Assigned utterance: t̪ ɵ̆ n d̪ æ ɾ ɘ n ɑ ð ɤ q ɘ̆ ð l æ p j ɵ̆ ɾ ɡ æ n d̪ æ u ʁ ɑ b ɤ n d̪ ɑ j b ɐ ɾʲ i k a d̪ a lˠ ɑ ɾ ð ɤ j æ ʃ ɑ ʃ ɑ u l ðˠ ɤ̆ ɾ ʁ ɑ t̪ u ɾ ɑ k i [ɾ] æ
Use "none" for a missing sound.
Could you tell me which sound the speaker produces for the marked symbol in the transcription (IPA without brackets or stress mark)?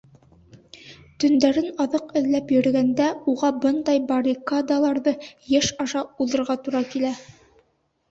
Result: l